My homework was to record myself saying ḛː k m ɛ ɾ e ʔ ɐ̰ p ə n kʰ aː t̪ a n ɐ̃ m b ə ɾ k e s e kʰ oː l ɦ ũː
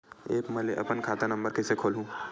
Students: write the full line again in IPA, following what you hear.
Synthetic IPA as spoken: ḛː k m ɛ l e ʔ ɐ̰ p ə n kʰ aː t̪ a n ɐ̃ m b ə ɾ k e s e kʰ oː l ɦ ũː